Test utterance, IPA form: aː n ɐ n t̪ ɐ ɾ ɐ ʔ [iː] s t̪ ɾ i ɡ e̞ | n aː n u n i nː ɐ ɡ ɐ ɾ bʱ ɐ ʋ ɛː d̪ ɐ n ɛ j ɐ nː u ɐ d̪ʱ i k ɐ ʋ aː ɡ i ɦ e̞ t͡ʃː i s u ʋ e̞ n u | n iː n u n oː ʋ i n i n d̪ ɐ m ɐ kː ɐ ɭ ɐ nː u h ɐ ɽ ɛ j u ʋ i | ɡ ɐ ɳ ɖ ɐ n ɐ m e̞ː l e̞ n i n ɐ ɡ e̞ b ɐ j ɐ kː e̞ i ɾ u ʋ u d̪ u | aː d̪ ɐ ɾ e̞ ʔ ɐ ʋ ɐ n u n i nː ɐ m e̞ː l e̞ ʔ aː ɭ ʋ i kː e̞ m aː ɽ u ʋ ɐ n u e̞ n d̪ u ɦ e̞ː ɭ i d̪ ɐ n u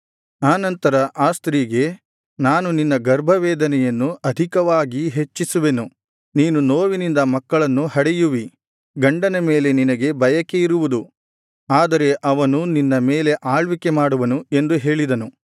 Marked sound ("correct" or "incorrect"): incorrect